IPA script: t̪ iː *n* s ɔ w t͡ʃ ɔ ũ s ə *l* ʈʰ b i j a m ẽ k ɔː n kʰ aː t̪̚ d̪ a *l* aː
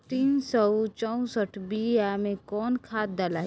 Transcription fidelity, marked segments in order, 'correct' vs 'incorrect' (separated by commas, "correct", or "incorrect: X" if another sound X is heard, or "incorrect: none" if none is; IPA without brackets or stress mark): correct, incorrect: none, correct